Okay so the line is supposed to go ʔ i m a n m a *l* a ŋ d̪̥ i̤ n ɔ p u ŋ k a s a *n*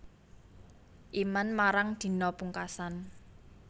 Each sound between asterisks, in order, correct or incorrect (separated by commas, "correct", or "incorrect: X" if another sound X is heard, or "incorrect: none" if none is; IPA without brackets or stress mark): incorrect: ɾ, correct